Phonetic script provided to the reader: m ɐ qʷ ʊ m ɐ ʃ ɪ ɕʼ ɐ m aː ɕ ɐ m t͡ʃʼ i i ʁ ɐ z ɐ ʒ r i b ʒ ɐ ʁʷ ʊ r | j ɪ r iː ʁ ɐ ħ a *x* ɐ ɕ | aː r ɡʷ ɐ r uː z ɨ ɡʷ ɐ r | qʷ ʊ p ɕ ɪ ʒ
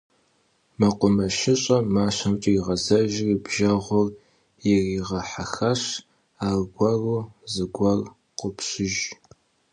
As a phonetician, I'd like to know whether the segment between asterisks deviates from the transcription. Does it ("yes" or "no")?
no